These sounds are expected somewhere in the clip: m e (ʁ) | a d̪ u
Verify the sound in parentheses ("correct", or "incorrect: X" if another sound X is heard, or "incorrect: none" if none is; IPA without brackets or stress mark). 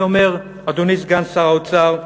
correct